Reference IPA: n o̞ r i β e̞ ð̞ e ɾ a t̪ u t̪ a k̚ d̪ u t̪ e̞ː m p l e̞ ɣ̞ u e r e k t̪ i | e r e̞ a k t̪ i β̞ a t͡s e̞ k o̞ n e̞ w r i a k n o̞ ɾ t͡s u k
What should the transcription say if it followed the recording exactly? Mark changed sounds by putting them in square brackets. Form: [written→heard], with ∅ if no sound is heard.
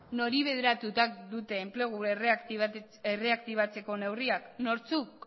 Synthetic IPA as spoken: n o̞ [r→ɾ] i β e̞ ð̞ e ɾ a t̪ u t̪ a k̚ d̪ u t̪ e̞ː m p l e̞ ɣ̞ u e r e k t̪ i | e r e̞ a k t̪ i β̞ a t͡s e̞ k o̞ n e̞ w r i a k n o̞ ɾ t͡s u k

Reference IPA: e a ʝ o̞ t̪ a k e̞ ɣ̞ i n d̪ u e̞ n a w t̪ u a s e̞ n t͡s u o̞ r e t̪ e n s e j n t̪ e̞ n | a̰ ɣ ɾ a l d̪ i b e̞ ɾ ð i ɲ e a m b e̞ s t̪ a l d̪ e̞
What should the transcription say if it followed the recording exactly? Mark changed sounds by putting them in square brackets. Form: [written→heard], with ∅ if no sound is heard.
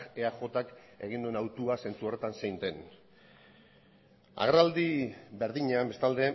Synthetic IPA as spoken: e a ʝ o̞ t̪ a k e̞ ɣ̞ i n d̪ u e̞ n a w t̪ u a s e̞ n t͡s u o̞ r e t̪ [e→a] n s e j n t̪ e̞ n | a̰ ɣ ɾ a l d̪ i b e̞ ɾ ð i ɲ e a m b e̞ s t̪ a l d̪ e̞

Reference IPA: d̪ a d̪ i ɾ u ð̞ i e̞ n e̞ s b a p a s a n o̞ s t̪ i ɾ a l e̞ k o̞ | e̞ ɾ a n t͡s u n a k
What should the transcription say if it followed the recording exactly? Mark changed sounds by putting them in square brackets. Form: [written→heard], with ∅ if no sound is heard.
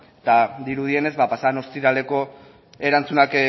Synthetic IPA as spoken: [d̪→t̪] a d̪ i ɾ u ð̞ i e̞ n e̞ [s→z] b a p a s a n o̞ s t̪ i ɾ a l e̞ k o̞ | e̞ ɾ a n t͡s u n a k

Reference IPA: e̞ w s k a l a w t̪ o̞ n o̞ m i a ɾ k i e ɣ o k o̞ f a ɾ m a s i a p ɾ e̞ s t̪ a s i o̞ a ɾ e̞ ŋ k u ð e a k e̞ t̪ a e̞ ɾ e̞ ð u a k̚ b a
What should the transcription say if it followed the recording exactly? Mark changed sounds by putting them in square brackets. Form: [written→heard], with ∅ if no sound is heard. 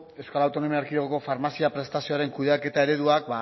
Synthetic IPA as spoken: e̞ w s k a l a w t̪ o̞ n o̞ m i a ɾ k i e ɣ o k o̞ f a ɾ m a s i a p ɾ e̞ s t̪ a s i o̞ a ɾ e̞ ŋ k u ð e a k e̞ t̪ a e̞ ɾ e̞ ð u a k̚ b a

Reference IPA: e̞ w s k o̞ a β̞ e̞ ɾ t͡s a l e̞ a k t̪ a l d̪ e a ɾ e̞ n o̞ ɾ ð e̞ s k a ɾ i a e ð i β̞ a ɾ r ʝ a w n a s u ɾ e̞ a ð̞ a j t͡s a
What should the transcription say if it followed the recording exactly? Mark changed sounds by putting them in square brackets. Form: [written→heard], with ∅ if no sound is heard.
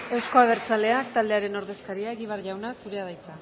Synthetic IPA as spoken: e̞ w s k o̞ a β̞ e̞ ɾ t͡s a l e̞ a k t̪ a l d̪ e a ɾ e̞ n o̞ ɾ ð e̞ s k a ɾ i a e [ð→ɣ] i β̞ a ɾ r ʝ a w n a s u ɾ e̞ a ð̞ a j t͡s a

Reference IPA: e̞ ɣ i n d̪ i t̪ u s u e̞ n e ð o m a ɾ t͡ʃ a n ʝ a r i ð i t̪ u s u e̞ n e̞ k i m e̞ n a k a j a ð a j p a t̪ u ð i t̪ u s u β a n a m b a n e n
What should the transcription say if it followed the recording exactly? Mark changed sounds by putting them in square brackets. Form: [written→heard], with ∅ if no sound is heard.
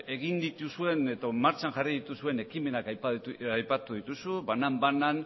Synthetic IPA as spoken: e̞ ɣ i n d̪ i t̪ u s u e̞ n e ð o m a ɾ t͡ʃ a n ʝ a r i ð i t̪ u s u e̞ n e̞ k i m e̞ n a k a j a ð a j p a t̪ u ð i t̪ u s u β a n a m b a n [e→a] n

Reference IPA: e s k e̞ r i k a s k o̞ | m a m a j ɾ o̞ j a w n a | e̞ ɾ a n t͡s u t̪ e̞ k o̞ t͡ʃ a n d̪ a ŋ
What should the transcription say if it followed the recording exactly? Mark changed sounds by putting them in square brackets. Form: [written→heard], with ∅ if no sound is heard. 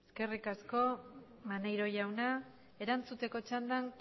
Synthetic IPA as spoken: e s k e̞ r i k a s k o̞ | m a [m→n] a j ɾ o̞ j a w n a | e̞ ɾ a n t͡s u t̪ e̞ k o̞ t͡ʃ a n d̪ a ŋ

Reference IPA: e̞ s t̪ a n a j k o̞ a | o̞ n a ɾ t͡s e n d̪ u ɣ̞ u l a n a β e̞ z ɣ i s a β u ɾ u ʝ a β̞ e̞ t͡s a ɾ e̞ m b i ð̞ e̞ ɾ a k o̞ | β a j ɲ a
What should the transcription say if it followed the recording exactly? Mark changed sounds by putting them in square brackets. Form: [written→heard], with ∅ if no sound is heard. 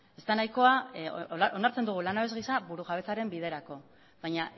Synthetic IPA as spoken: e̞ s t̪ a n a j k o̞ a | o̞ n a ɾ t͡s e n d̪ u ɣ̞ u l a n a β e̞ z ɣ i s a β u ɾ u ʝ a β̞ e̞ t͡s a ɾ e̞ m b i ð̞ e̞ ɾ a k o̞ | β a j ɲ a

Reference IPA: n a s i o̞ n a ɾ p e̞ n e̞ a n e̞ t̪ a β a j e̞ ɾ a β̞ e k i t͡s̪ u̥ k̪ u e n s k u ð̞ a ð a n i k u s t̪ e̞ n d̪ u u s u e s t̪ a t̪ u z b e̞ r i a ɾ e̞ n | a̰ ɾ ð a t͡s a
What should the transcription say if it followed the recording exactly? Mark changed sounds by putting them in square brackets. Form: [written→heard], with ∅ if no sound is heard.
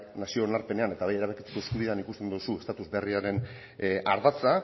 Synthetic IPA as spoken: n a s i o̞ n a ɾ p e̞ n e̞ a n e̞ t̪ a β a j e̞ ɾ a β̞ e k i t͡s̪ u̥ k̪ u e [n→∅] s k u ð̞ [a→i] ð a n i k u s t̪ e̞ n d̪ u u s u e s t̪ a t̪ u z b e̞ r i a ɾ e̞ n | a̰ ɾ ð a t͡s a

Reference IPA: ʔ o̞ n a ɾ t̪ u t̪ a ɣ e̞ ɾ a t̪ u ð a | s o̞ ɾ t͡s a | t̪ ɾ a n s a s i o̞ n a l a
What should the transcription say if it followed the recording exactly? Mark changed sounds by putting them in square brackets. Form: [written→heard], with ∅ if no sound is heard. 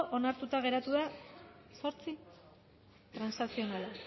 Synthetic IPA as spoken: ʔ o̞ n a ɾ t̪ u t̪ a ɣ e̞ ɾ a t̪ u ð a | s o̞ ɾ t͡s [a→i] | t̪ ɾ a n s a s i o̞ n a l a

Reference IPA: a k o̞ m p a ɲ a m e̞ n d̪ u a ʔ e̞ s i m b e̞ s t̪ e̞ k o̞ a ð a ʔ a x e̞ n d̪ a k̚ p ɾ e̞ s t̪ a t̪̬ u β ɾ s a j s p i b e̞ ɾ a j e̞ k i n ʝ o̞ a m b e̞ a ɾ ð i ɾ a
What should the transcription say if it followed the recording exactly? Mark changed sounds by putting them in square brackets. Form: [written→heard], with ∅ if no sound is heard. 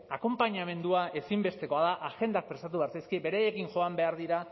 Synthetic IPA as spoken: a k o̞ m p a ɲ a m e̞ n d̪ u a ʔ e̞ s i m b e̞ s t̪ e̞ k o̞ a ð a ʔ a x e̞ n d̪ a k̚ p ɾ e̞ s t̪ a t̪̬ u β ɾ s a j s [p→k] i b e̞ ɾ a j e̞ k i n ʝ o̞ a m b e̞ a ɾ ð i ɾ a

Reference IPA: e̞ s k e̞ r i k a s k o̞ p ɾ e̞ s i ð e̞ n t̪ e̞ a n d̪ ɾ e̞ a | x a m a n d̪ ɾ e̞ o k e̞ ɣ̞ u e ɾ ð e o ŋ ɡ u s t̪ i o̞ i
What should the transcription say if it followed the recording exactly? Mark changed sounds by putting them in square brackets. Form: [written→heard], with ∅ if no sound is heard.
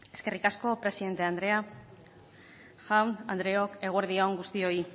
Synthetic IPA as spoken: e̞ s k e̞ r i k a s k o̞ p ɾ e̞ s i ð e̞ n t̪ e̞ a n d̪ ɾ e̞ a | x a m a n d̪ ɾ e̞ o k e̞ ɣ̞ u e ɾ ð [e→i] o ŋ ɡ u s t̪ i o̞ i

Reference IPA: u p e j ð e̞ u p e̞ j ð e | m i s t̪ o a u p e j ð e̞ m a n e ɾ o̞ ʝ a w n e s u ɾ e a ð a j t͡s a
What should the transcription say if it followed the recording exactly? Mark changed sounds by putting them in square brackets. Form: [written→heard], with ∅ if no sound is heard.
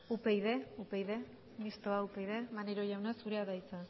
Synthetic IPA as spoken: u p e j ð e̞ u p e̞ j ð e | m i s t̪ o a u p e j ð e̞ m a n e ɾ o̞ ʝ a w n [e→a] s u ɾ e a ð a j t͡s a

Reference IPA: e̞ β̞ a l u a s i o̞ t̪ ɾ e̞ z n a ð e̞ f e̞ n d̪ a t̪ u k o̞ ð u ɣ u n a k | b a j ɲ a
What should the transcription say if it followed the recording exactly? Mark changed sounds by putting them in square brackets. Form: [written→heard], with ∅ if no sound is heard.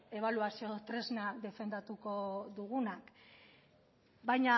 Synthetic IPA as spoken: e̞ β̞ a l u a s i o̞ t̪ ɾ e̞ z n a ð e̞ f e̞ n d̪ a t̪ u k o̞ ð u ɣ u n a k | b a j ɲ a

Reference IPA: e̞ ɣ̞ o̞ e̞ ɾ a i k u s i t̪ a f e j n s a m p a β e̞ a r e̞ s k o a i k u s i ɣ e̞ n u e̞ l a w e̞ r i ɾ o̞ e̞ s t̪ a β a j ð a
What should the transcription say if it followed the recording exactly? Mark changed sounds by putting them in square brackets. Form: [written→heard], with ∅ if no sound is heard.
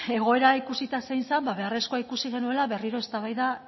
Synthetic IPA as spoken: e̞ ɣ̞ o̞ e̞ ɾ a i k u s i t̪ a [f→s] e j n s a m [p→b] a β e̞ a r e̞ s k o a i k u s i ɣ e̞ n u e̞ l a [w→β] e̞ r i ɾ o̞ e̞ s t̪ a β a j ð a

